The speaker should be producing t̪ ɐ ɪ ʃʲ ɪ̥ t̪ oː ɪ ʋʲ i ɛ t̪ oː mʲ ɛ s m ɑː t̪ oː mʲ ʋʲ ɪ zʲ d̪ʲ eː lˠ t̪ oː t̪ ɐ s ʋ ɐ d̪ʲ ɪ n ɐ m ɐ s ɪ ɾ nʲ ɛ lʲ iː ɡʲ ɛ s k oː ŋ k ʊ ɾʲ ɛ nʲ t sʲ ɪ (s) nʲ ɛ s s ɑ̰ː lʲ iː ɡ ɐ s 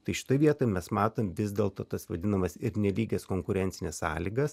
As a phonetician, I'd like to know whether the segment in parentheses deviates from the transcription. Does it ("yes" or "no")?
yes